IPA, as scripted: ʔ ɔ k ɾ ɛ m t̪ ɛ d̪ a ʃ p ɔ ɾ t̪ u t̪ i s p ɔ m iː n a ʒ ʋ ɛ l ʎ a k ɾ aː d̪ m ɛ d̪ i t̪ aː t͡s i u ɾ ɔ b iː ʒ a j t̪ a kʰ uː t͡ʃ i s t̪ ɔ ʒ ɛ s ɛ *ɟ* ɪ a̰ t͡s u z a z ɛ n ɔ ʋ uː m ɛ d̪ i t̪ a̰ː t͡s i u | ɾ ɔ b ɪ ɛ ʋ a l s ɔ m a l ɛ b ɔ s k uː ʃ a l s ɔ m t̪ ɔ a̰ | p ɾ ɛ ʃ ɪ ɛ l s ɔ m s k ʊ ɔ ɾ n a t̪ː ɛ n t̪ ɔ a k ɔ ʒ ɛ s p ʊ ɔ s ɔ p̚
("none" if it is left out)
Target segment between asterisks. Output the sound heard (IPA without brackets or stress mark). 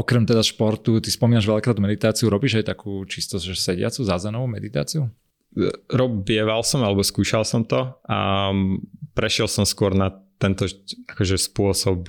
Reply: ɟ